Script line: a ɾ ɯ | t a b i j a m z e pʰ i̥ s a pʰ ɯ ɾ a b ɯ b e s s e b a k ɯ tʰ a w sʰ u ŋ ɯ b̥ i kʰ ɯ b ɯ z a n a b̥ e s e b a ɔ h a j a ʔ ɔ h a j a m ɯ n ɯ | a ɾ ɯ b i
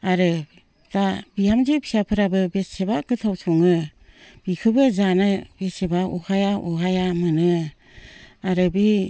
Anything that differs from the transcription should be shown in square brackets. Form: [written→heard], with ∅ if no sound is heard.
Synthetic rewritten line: a ɾ ɯ | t a b i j a m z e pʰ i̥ s a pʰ ɯ ɾ a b ɯ b e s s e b a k ɯ tʰ a w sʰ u ŋ ɯ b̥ i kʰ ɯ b ɯ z a n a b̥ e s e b a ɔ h a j a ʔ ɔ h a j a m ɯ n ɯ | a ɾ ɯ b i